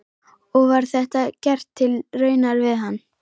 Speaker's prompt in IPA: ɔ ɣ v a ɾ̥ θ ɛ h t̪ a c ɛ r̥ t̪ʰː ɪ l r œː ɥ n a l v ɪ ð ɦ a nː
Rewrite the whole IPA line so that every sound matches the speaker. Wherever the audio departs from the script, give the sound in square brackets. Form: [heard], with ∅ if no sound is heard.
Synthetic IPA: ɔ ɣ v a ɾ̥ θ ɛ h t̪ a c ɛ r̥ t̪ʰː ɪ l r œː ɥ n a [ɾ] v ɪ ð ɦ a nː